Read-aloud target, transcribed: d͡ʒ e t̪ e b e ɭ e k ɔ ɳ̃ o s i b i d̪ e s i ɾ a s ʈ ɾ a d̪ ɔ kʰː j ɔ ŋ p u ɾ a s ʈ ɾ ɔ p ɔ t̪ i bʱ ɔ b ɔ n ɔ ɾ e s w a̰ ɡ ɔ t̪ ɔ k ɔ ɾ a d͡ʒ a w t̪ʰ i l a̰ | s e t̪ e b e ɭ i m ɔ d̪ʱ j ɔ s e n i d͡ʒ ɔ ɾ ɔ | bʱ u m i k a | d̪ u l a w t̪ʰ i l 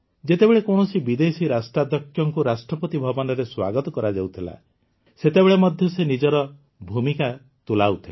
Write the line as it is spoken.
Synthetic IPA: d͡ʒ e t̪ e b e ɭ e k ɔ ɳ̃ ɔ s i b i d̪ e s i ɾ a s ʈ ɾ a d̪ ɔ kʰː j ɔ ŋ k u ɾ a s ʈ ɾ ɔ p ɔ t̪ i bʱ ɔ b ɔ n ɔ ɾ e s w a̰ ɡ ɔ t̪ ɔ k ɔ ɾ a d͡ʒ a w t̪ʰ i l a̰ | s e t̪ e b e ɭ e m ɔ d̪ʱ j ɔ s e n i d͡ʒ ɔ ɾ ɔ | bʱ u m i k a | t̪ u l a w t̪ʰ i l